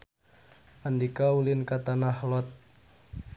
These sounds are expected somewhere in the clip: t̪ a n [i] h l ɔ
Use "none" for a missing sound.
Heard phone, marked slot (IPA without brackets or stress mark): a